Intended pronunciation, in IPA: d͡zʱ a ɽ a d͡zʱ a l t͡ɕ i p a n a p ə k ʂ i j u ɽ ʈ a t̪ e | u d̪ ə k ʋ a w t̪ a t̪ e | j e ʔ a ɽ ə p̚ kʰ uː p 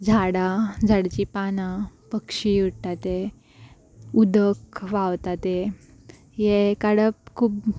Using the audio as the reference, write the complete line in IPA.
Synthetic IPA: d͡zʱ a ɽ a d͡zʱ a ɽ t͡ɕ i p a n a p ə k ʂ i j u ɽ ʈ a t̪ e | u d̪ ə k ʋ a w t̪ a t̪ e | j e k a ɽ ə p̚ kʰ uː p

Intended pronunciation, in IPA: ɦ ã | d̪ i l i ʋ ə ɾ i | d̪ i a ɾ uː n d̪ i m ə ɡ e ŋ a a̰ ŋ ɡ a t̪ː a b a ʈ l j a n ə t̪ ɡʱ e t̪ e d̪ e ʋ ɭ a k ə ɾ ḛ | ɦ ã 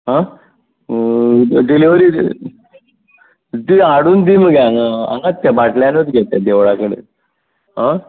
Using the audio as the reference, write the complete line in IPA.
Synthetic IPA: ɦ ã | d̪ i l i ʋ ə ɾ i | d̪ i a ɽ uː n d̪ i m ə ɡ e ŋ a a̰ ŋ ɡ a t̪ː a b a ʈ l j a n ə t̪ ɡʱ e t̪ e d̪ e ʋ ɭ a k ə ɽ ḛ | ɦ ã

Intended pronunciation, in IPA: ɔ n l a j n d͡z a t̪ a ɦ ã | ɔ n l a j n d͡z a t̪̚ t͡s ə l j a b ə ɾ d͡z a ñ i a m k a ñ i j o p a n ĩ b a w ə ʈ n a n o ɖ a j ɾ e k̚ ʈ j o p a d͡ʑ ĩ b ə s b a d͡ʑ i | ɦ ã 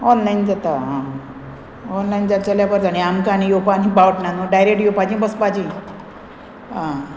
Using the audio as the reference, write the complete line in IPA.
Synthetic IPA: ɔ n l a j n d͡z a t̪ a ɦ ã | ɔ n l a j n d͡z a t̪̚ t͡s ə l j a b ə ɾ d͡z a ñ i a m k a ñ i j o p a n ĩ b a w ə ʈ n a n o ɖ a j ɾ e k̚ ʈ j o p a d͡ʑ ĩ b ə s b a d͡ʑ i | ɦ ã

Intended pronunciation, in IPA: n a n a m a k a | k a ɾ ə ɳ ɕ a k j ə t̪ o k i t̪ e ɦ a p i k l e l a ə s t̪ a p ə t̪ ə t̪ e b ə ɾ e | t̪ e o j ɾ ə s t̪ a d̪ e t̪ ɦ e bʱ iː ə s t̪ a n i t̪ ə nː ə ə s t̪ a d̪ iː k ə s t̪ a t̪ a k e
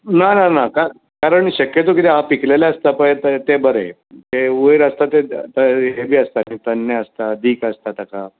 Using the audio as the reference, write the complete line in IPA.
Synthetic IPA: n a n a n a k a | k a ɾ ə ɳ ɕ ə k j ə t̪ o k i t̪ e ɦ a p i k l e l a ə s t̪ a p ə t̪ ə t̪ e b ə ɾ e | t̪ e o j ɾ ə s t̪ a t̪ e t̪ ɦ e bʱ iː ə s t̪ a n i t̪ ə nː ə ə s t̪ a d̪ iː k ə s t̪ a t̪ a k a

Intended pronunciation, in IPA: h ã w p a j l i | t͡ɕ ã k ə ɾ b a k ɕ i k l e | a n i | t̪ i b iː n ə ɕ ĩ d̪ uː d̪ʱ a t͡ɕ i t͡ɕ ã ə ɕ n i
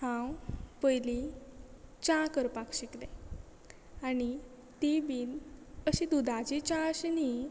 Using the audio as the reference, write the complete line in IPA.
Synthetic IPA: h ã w p ə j l i | t͡ɕ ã k ə ɾ p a k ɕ i k l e | a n i | t̪ i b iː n ə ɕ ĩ d̪ u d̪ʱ a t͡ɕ i t͡ɕ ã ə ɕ n i

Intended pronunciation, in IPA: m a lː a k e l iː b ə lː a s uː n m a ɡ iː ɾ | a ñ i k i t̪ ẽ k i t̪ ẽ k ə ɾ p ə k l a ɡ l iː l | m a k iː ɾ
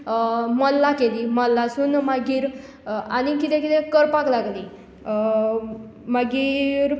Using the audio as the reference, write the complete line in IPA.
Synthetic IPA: m ə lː a k e l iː m ə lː a s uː n m a ɡ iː ɾ | a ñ i k i t̪ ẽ k i t̪ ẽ k ə ɾ p a k l a ɡ l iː | m a ɡ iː ɾ

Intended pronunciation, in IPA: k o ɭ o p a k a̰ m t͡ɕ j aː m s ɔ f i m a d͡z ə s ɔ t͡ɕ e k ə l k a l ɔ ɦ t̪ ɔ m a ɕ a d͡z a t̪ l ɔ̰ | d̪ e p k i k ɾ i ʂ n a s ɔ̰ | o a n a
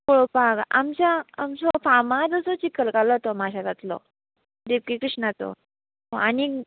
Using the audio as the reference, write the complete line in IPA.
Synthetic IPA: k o ɭ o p a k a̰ m t͡ɕ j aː m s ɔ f a m a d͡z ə s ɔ t͡ɕ i k ə l k a l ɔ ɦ t̪ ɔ m a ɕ a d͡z a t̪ l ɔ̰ | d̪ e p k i k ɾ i ʂ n a t͡s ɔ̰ | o a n i

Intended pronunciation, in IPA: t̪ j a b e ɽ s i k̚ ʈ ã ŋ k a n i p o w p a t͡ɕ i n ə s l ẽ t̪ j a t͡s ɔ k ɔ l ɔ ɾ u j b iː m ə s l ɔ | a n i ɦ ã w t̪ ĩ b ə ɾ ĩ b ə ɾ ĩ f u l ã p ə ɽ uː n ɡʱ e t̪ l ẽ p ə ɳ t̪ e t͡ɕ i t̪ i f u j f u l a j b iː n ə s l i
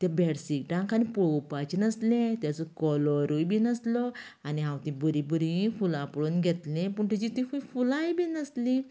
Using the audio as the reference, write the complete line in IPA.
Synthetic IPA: t̪ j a b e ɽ s i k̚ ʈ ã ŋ k a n i p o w p a t͡ɕ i n ə s l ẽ t̪ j a t͡s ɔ k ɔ l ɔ ɾ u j b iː n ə s l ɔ | a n i ɦ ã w t̪ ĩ b ə ɾ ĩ b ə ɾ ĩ f u l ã p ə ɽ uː n ɡʱ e t̪ l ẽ p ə ɳ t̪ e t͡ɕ i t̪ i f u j f u l a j b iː n ə s l i

